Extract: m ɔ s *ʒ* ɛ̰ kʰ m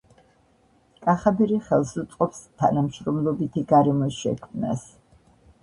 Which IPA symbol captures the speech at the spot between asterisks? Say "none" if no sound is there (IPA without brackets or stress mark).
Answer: ʃ